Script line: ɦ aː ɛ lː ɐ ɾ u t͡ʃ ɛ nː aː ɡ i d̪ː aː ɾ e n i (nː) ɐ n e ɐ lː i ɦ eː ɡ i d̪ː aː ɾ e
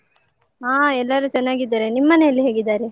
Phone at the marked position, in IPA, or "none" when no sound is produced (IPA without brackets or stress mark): mː